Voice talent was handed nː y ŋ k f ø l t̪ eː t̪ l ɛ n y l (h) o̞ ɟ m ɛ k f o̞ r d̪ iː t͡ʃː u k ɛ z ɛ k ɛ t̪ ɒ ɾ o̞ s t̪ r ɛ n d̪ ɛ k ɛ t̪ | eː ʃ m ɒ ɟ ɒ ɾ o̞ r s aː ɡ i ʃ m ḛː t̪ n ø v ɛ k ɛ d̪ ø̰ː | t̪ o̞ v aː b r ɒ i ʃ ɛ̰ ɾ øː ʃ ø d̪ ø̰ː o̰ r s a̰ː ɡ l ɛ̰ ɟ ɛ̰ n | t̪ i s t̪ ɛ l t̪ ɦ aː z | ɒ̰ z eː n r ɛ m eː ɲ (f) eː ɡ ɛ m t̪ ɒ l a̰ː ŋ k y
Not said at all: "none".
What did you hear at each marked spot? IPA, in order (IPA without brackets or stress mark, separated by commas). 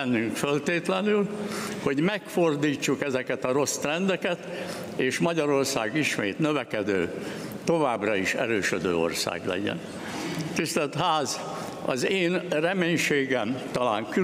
h, ʃ